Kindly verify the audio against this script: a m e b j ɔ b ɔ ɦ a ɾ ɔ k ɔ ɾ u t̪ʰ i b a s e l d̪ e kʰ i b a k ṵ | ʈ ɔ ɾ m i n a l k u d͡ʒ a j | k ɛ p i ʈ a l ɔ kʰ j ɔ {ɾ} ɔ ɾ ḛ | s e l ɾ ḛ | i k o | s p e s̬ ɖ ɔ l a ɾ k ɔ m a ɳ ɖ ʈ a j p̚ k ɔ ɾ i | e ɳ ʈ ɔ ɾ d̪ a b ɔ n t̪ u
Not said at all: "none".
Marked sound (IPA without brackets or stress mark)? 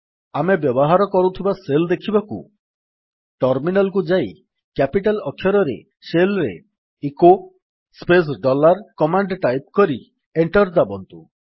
ɾ